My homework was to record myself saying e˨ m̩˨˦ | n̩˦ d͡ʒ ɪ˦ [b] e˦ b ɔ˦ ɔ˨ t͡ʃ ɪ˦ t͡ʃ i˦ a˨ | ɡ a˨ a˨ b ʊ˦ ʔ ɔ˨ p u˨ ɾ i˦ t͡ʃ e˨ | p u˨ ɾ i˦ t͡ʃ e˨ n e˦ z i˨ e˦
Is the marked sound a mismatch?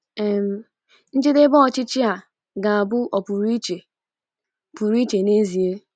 yes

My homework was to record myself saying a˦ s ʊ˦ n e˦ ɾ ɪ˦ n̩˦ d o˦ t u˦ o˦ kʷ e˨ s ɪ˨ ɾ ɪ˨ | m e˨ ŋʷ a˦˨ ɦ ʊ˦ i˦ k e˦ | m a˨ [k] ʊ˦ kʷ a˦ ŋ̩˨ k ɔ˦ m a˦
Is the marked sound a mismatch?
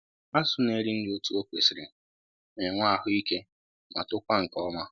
yes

